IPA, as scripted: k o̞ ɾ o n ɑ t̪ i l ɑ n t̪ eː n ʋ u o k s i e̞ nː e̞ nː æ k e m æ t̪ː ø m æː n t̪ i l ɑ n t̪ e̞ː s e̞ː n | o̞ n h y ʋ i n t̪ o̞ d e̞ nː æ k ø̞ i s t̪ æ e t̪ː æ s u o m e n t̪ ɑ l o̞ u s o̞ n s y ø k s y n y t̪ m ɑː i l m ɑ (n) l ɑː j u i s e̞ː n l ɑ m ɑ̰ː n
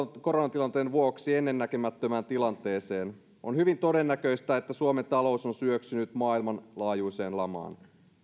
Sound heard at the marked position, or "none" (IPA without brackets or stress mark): n